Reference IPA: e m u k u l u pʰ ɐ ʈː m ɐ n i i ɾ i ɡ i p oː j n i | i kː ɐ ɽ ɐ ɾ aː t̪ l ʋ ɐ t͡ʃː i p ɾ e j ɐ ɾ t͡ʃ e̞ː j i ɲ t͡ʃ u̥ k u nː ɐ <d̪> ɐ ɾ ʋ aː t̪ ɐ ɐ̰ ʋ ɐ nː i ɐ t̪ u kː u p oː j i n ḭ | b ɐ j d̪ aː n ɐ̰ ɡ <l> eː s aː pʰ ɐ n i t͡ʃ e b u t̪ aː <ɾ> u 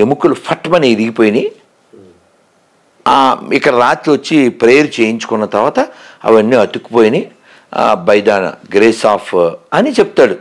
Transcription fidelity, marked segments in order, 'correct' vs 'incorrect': incorrect: t̪, incorrect: ɾ, incorrect: ɽ

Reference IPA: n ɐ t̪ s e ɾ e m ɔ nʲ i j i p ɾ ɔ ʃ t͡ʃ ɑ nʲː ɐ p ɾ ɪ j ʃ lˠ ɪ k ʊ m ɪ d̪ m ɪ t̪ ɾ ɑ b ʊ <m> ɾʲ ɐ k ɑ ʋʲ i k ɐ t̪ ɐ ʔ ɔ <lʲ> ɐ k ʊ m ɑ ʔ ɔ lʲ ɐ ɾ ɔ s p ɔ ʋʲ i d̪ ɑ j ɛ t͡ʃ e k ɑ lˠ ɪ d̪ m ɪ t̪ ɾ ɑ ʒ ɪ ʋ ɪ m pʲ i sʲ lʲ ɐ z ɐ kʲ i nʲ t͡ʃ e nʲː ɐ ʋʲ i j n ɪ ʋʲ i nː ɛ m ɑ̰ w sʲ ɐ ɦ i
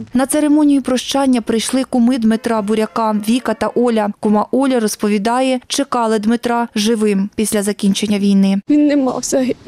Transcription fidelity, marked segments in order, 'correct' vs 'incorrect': incorrect: none, correct

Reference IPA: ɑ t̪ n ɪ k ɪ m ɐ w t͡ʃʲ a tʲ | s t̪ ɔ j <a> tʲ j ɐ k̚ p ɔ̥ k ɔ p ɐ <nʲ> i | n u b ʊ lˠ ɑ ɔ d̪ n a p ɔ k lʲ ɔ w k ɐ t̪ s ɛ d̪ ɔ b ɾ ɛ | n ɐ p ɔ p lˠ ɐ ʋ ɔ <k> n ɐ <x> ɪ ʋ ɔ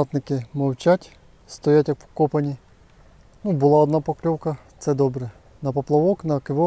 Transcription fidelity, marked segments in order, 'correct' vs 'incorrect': correct, correct, correct, incorrect: k

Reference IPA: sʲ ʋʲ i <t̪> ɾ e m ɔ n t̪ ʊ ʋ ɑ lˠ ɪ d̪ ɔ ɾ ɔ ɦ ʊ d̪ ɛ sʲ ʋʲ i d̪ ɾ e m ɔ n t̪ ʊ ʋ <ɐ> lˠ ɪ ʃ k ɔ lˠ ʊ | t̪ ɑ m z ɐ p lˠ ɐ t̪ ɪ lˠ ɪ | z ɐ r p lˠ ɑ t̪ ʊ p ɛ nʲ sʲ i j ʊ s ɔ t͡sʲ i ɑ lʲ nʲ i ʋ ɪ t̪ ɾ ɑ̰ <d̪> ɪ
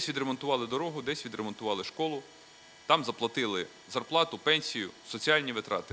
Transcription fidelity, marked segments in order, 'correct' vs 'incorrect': incorrect: d̪, incorrect: ɑ, incorrect: t̪

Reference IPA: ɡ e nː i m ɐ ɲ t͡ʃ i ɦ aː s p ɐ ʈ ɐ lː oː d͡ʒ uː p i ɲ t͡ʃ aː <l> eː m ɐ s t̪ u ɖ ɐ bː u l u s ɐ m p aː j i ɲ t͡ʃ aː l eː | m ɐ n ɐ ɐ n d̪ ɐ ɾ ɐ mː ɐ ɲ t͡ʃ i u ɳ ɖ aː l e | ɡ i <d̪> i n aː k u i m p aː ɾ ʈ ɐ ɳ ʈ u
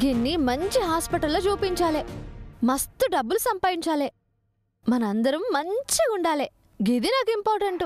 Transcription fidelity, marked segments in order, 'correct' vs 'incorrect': correct, correct

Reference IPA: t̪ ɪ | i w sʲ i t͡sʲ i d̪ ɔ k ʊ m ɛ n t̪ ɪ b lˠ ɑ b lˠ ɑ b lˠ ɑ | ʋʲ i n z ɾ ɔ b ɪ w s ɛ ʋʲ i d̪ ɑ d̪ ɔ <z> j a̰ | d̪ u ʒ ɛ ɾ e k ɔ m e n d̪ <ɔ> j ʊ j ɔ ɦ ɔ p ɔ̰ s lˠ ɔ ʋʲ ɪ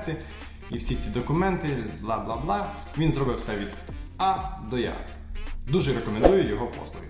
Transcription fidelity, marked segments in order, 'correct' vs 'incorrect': incorrect: none, incorrect: u

